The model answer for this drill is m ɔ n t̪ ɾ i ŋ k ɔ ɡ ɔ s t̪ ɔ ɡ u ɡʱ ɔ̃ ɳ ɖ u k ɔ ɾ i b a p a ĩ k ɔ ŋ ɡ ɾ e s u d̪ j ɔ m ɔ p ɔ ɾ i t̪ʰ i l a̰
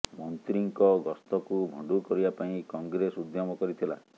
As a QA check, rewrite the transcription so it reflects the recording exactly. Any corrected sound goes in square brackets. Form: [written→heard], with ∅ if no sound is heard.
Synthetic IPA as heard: m ɔ n t̪ ɾ i ŋ k ɔ ɡ ɔ s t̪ ɔ [ɡ→k] u [ɡʱ→bʱ] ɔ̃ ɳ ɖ u k ɔ ɾ i b a p a ĩ k ɔ ŋ ɡ ɾ e s u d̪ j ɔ m ɔ [p→k] ɔ ɾ i t̪ʰ i l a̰